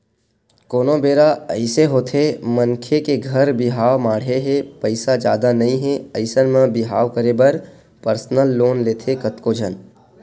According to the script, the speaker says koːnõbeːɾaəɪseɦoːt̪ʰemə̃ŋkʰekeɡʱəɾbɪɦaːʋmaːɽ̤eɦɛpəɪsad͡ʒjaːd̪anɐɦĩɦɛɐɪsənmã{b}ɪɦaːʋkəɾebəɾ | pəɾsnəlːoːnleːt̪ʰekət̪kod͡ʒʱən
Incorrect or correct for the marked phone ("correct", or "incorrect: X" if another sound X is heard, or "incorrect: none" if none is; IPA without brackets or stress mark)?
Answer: correct